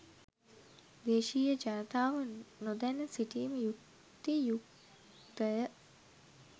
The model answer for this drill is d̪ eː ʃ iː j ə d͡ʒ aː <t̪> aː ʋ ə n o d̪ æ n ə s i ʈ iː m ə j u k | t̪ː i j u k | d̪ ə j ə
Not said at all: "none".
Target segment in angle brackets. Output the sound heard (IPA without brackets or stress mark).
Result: t̪